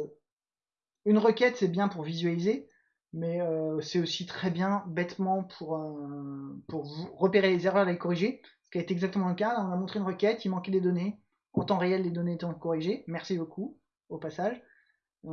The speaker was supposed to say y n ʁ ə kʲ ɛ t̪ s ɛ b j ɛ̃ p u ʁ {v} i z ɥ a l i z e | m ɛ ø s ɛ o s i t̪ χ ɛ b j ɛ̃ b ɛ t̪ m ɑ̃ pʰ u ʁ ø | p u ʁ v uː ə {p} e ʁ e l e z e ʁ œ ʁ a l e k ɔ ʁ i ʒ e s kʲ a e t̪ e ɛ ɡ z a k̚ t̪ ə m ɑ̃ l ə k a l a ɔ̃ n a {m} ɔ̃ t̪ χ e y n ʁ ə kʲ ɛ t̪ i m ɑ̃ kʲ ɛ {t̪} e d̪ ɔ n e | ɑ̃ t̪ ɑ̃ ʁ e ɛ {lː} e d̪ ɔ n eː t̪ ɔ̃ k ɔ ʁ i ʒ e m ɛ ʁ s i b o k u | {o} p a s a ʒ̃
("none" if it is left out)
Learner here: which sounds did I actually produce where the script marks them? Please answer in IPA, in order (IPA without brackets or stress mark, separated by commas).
v, p, m, d̪, lː, o